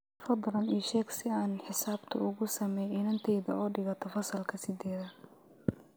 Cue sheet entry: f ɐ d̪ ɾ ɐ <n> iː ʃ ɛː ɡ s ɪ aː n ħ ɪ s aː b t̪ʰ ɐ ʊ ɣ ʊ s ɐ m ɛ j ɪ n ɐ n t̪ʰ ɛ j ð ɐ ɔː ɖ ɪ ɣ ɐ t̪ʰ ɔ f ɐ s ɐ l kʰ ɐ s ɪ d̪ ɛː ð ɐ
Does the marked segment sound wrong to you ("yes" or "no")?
no